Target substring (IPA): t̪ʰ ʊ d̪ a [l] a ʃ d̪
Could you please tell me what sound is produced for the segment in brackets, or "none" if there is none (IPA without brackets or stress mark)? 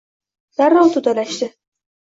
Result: l